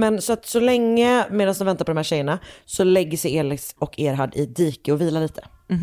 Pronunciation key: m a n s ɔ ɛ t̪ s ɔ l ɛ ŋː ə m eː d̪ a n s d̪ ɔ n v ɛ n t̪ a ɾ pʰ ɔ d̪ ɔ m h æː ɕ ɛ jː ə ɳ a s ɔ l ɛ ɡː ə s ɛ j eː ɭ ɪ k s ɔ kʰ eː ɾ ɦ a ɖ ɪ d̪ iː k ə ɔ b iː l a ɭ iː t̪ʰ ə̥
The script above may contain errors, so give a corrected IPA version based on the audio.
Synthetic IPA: m ɛ n s ɔ a t̪ s ɔ l ɛ ŋː ə m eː d̪ a n s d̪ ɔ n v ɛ n t̪ a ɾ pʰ ɔ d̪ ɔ m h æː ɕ ɛ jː ə ɳ a s ɔ l ɛ ɡː ə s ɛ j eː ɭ ɪ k s ɔ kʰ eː ɾ ɦ a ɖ ɪ d̪ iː k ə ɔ v iː l a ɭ iː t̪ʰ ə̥